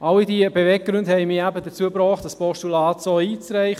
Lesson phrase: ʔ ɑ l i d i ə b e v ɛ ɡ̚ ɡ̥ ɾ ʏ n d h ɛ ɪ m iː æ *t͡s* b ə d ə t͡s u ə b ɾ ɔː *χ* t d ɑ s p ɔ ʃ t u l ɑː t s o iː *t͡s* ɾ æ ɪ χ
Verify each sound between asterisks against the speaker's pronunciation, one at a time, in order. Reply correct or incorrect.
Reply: incorrect: none, correct, correct

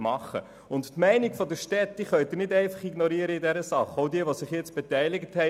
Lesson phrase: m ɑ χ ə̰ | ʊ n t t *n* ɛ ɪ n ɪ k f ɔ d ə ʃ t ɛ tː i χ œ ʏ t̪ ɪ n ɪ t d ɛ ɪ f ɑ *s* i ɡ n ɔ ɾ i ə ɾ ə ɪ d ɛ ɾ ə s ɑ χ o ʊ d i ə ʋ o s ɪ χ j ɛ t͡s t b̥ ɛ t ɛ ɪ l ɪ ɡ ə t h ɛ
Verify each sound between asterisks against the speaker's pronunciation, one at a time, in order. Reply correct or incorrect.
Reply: incorrect: m, incorrect: χ

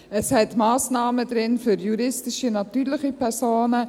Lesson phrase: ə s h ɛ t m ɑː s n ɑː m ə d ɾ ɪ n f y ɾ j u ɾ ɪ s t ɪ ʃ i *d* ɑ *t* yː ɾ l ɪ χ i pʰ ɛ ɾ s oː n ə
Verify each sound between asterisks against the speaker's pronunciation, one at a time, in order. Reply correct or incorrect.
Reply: incorrect: n, correct

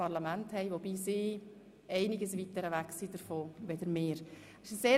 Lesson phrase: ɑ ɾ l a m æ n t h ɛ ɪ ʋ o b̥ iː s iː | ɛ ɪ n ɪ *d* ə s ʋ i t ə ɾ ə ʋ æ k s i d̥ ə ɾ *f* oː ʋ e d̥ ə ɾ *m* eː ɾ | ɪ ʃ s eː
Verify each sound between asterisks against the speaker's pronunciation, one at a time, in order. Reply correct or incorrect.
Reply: incorrect: ɡ, correct, correct

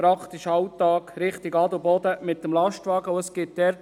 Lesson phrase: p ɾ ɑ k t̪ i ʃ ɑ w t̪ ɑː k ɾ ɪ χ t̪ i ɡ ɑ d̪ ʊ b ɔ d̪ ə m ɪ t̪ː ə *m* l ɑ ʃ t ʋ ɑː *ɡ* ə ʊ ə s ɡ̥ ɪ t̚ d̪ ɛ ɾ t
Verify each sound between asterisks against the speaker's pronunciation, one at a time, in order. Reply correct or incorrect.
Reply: correct, correct

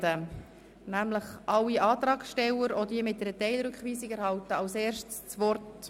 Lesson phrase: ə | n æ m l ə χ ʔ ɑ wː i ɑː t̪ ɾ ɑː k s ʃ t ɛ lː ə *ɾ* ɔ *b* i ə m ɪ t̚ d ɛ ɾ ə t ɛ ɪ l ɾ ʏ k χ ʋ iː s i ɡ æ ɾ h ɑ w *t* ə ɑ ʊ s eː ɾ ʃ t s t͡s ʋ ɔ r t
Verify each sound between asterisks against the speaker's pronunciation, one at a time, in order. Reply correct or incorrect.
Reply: correct, incorrect: d, correct

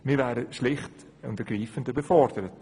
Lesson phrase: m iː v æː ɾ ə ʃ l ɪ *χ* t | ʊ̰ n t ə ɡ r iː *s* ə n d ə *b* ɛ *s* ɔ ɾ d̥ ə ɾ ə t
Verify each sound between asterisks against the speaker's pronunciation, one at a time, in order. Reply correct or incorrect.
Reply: correct, incorrect: f, correct, incorrect: f

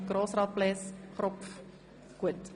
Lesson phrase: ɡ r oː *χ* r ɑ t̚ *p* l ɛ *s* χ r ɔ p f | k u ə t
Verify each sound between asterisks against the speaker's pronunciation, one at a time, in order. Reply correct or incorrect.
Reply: incorrect: s, correct, correct

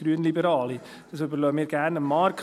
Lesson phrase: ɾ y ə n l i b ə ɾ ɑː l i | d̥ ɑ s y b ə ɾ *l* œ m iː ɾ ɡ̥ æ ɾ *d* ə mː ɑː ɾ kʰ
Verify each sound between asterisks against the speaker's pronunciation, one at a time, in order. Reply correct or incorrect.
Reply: correct, incorrect: n

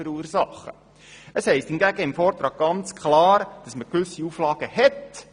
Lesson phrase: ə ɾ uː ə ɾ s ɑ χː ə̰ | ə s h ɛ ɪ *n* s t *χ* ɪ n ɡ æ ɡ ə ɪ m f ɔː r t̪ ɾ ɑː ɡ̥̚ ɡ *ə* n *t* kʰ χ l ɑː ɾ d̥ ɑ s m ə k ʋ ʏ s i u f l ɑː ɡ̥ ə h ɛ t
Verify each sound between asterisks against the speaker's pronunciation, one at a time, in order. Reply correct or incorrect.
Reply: incorrect: none, incorrect: h, incorrect: ɑ, incorrect: t͡s

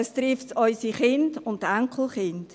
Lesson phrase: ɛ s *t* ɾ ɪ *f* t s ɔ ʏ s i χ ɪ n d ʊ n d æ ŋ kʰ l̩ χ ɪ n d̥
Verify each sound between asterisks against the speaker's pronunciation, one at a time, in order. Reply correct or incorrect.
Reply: correct, correct

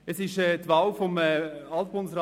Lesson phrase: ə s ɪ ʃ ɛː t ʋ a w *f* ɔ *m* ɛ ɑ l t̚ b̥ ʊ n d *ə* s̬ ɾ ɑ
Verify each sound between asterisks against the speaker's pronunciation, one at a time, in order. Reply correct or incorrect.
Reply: correct, correct, correct

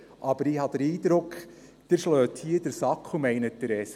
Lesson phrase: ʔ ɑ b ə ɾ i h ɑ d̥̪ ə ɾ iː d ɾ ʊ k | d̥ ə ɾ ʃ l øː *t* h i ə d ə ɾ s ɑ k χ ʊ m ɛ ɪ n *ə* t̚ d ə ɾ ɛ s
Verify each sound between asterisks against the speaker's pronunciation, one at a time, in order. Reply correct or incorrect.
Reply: correct, correct

